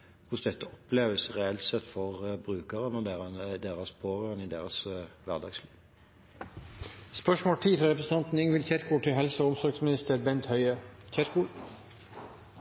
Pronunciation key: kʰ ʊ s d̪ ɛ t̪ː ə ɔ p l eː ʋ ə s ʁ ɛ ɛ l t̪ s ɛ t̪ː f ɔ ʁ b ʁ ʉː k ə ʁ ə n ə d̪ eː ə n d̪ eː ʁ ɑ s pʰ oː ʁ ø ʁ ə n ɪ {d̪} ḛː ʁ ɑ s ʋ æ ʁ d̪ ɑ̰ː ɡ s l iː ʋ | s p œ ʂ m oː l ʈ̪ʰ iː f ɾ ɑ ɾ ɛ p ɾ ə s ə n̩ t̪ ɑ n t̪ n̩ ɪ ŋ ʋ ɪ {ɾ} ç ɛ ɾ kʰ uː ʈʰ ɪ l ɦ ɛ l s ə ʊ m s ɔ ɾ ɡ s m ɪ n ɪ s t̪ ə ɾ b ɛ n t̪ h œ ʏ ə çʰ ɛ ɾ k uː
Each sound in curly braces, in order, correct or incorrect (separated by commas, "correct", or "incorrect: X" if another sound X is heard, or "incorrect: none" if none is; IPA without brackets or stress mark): correct, incorrect: l